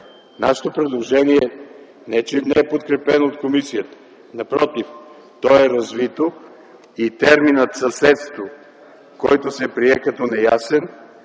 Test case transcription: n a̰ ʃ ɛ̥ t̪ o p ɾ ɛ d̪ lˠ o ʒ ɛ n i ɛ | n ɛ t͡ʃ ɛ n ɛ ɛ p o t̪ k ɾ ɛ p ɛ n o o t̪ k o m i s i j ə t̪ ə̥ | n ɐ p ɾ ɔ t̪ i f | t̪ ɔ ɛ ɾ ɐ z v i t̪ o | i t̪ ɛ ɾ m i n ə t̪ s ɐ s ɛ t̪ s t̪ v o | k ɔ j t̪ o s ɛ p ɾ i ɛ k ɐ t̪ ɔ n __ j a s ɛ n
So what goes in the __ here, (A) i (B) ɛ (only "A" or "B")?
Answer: B